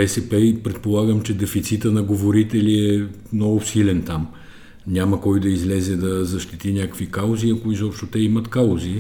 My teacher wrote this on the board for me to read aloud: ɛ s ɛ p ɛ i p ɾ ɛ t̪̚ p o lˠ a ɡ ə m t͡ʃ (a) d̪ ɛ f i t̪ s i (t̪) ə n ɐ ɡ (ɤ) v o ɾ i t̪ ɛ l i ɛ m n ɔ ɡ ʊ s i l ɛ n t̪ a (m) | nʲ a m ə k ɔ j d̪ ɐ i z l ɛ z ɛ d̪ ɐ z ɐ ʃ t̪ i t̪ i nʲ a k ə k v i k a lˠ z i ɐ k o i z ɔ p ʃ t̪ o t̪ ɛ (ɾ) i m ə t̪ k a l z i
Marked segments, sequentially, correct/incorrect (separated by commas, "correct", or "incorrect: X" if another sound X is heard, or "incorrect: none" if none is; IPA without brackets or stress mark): incorrect: ɛ, correct, incorrect: o, correct, incorrect: none